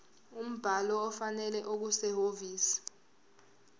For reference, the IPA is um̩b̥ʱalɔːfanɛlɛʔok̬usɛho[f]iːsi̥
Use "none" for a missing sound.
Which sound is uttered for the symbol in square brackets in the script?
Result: v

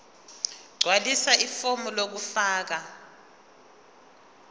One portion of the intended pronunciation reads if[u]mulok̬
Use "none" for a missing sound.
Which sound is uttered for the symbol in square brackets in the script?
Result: o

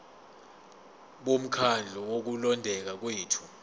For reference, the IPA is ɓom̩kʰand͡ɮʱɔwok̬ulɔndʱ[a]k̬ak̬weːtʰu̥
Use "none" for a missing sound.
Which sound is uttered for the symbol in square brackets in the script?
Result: ɛ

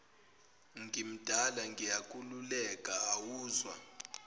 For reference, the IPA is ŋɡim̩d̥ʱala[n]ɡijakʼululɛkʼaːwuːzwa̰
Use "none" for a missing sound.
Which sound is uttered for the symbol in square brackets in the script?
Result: ŋ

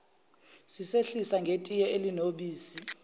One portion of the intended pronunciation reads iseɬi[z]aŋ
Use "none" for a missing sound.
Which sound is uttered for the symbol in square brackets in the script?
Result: s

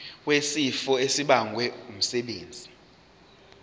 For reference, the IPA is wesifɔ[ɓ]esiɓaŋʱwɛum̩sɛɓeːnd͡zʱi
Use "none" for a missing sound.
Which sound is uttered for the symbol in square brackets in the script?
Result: none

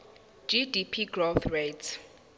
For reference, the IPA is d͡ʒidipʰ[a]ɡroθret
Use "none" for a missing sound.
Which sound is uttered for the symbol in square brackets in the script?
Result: i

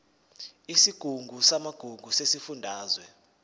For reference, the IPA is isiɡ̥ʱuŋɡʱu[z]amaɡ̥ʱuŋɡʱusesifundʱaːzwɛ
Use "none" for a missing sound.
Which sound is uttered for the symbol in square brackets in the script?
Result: s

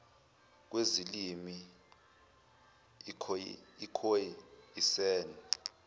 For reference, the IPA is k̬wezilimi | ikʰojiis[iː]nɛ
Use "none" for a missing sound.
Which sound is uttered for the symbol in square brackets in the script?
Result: ɛː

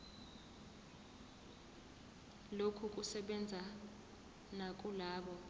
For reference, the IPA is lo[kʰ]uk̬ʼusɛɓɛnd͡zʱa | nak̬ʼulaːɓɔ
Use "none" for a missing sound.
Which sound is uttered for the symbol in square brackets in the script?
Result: kʰ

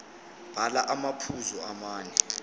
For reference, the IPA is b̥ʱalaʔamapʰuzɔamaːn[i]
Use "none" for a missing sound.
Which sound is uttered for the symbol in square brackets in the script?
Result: ɛ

